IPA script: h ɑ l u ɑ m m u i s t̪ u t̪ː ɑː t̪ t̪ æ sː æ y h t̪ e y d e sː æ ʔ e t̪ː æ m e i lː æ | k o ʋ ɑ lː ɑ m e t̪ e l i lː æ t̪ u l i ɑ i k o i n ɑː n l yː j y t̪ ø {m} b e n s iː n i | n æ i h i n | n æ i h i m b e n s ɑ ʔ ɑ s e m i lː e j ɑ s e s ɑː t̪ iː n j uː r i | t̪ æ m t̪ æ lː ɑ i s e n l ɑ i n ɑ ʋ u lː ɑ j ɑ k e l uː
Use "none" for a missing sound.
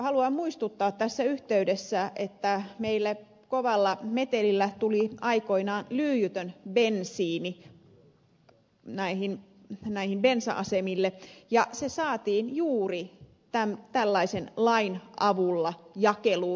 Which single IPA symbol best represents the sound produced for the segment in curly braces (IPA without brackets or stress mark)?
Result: n